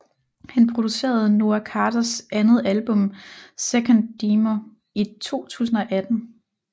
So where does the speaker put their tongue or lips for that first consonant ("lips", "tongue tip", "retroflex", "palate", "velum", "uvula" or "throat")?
throat